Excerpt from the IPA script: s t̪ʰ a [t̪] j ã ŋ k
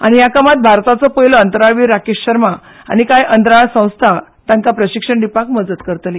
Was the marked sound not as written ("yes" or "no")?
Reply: no